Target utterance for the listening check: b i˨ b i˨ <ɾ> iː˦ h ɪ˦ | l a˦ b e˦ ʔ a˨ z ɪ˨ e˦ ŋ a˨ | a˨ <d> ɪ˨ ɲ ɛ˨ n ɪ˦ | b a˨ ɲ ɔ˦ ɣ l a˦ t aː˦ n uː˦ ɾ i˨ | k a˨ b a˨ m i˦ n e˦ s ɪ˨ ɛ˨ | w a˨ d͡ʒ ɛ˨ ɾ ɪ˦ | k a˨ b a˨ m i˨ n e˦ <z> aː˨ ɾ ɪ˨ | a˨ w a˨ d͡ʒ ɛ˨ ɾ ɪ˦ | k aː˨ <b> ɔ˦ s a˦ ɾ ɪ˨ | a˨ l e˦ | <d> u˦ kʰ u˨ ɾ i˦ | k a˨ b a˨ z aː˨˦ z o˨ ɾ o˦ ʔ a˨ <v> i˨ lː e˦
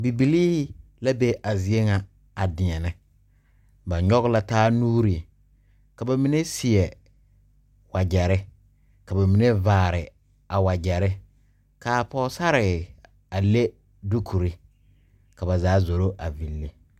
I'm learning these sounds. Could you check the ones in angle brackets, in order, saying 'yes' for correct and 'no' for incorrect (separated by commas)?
no, yes, no, no, yes, yes